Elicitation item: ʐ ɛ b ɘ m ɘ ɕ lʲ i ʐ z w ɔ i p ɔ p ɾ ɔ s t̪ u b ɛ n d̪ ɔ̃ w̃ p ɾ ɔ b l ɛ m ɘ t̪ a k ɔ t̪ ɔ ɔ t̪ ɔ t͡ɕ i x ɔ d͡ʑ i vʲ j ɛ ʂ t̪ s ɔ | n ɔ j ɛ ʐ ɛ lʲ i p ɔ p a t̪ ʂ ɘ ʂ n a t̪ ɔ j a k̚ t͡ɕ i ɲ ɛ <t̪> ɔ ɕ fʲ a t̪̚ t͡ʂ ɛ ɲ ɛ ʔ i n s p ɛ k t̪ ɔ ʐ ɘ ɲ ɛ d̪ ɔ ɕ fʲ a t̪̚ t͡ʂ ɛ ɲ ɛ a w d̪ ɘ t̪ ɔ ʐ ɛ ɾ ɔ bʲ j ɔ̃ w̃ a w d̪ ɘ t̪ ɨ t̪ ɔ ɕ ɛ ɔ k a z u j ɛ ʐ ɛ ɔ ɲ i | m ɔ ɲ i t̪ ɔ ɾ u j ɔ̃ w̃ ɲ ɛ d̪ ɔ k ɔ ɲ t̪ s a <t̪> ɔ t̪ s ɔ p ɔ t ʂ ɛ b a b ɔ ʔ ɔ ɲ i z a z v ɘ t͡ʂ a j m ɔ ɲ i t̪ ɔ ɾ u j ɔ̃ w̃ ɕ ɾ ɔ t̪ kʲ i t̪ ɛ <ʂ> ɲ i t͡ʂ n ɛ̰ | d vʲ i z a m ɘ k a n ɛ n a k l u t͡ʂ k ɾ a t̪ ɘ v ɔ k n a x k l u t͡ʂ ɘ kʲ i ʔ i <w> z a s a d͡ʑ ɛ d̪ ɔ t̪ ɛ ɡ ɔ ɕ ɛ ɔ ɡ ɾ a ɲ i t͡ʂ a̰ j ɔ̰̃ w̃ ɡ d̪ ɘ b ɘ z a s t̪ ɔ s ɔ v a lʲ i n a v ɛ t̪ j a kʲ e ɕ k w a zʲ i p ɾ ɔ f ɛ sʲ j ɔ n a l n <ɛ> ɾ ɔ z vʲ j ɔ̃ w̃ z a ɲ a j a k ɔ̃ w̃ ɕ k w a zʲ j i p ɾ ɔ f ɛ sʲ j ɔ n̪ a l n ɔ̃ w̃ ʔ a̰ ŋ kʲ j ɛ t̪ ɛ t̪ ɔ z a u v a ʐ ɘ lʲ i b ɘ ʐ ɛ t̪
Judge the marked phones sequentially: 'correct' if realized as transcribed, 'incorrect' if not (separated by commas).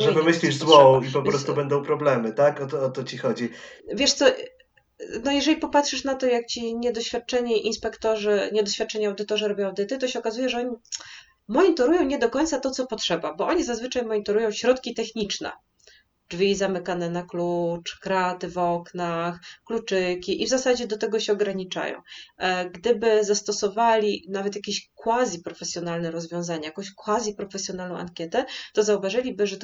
incorrect, correct, incorrect, incorrect, correct